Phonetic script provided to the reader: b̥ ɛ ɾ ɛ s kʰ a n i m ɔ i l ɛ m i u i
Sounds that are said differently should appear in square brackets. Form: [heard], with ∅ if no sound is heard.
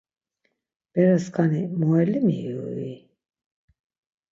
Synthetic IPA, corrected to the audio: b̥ ɛ ɾ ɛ s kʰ a n i m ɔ [ɛ] l [i] m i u i